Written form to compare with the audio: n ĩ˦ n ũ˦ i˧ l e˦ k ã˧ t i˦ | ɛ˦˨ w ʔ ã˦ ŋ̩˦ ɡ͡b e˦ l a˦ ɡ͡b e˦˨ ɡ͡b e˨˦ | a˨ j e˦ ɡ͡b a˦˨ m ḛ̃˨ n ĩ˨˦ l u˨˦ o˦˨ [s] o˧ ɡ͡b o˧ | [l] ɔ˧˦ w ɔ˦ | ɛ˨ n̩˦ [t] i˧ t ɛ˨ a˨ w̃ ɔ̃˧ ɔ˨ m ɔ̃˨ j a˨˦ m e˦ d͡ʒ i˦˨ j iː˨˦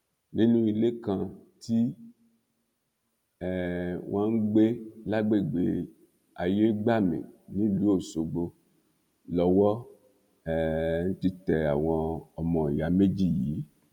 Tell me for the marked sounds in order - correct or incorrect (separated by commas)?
correct, correct, correct